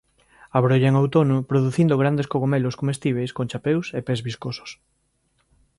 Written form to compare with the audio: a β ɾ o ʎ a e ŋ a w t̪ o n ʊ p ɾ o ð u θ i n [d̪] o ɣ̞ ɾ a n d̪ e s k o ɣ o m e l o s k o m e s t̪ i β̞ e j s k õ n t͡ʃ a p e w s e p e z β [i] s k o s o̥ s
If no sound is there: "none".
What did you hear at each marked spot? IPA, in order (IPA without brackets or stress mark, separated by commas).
d̪, i